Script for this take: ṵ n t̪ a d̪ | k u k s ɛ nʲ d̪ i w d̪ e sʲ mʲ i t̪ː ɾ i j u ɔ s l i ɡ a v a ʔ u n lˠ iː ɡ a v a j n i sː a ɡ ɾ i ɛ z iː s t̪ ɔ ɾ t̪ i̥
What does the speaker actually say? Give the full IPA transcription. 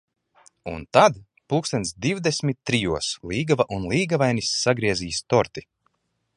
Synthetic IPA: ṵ n t̪ a d̪ | p u k s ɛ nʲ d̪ i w d̪ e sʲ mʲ i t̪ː ɾ i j u ɔ s l iː ɡ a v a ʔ u n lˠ iː ɡ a v a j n i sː a ɡ ɾ i ɛ z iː s t̪ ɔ ɾ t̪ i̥